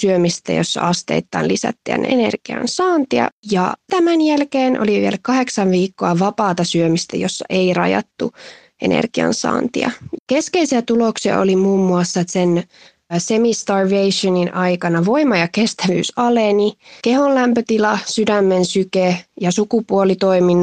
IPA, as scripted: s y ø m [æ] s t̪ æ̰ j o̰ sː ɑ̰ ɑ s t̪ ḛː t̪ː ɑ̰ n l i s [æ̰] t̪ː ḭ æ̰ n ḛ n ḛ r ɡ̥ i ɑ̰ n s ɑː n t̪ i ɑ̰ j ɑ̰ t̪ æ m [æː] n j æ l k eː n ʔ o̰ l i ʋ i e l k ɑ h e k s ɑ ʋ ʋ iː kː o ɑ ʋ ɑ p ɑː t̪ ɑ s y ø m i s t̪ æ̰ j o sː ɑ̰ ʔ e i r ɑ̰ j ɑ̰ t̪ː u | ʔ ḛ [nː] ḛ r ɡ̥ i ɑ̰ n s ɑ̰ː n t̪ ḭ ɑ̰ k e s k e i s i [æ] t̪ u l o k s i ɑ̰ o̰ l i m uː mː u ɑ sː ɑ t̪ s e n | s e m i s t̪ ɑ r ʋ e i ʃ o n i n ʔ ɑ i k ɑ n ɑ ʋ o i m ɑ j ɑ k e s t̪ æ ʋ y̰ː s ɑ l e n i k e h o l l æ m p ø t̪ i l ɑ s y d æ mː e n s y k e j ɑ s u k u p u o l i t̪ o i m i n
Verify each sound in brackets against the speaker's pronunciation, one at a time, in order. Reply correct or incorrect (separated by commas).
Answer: incorrect, correct, incorrect, incorrect, correct